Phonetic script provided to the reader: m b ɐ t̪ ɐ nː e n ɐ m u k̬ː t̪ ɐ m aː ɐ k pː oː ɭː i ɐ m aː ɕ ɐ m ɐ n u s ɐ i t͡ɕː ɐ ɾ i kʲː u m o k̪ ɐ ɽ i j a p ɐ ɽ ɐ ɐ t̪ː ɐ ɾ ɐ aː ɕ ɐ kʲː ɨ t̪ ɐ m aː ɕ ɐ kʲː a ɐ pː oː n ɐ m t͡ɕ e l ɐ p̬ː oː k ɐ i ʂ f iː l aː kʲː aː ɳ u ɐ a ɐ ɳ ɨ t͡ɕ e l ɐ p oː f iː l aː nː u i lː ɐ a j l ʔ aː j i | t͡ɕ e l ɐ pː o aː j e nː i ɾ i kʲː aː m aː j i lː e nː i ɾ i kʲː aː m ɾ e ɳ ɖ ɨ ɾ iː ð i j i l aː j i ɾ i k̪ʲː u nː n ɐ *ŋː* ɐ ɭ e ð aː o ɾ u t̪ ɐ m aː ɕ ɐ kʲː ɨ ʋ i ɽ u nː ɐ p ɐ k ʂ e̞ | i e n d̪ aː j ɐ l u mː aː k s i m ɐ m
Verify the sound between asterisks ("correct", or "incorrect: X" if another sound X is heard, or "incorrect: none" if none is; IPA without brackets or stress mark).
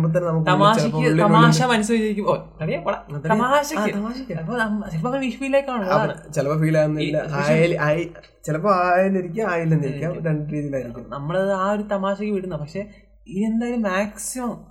incorrect: mː